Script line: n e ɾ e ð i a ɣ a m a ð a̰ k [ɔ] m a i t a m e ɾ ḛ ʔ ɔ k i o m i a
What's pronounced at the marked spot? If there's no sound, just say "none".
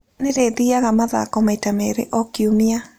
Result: ɔ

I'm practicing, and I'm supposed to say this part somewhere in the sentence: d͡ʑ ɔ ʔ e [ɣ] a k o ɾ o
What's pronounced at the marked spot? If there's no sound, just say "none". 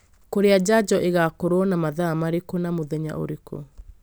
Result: ɣ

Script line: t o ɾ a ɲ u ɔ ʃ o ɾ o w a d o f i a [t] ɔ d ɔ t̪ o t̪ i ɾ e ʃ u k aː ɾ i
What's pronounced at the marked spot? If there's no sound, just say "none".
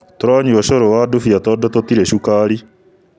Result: t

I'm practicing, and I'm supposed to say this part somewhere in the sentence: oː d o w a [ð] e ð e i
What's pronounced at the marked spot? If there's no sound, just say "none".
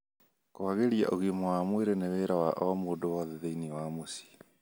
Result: ð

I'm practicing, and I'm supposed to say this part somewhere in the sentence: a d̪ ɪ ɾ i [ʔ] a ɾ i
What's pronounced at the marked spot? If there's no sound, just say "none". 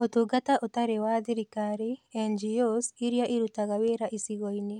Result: k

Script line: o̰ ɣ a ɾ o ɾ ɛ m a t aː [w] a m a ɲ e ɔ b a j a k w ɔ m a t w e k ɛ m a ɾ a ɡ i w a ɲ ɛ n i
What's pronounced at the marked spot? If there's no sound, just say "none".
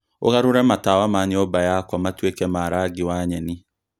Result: w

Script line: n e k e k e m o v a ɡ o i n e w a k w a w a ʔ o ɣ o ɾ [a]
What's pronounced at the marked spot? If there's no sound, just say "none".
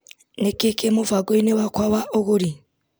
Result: i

